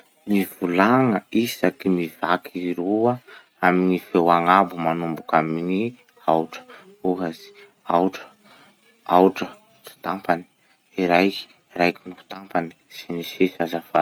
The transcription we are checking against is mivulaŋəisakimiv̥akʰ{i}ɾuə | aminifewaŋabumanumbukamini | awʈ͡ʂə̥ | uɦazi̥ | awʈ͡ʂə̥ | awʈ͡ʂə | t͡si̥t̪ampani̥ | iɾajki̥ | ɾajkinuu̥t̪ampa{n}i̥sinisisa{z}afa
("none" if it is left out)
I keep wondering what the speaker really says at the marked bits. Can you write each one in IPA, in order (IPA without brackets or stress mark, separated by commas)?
i, n, z